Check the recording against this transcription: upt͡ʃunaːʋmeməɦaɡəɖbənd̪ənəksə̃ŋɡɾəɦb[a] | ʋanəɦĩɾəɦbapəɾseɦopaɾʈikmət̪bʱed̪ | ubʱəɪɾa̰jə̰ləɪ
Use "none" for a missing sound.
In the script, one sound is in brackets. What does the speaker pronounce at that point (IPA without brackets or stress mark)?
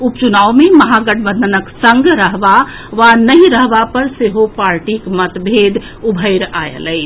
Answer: a